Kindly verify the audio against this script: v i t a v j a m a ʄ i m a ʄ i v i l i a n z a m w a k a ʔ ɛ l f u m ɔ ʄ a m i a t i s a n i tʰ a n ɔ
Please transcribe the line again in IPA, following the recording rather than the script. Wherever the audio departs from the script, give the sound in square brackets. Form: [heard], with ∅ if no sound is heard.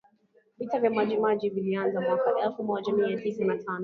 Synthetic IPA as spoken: v i t a v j a m a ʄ i m a ʄ i v i l i a n z a m w a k a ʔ ɛ l f u m ɔ ʄ a m i a t i s a n [a] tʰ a n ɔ